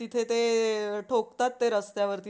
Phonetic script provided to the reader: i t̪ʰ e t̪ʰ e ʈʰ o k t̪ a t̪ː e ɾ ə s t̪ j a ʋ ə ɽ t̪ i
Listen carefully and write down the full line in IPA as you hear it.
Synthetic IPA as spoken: i t̪ʰ e t̪ e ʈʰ o k t̪ a t̪ː e ɾ ə s t̪ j a ʋ ə ɾ t̪ i